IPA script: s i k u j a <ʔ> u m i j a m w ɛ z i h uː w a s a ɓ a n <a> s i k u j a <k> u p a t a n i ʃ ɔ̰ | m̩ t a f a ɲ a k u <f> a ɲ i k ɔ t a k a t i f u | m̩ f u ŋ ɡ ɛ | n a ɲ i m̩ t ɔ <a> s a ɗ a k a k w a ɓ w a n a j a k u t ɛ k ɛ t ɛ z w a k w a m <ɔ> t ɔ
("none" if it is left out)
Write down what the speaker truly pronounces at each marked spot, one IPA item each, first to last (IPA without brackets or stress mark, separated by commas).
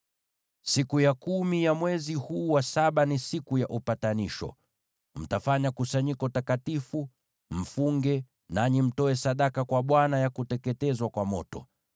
k, i, ʔ, s, ɛ, ɔ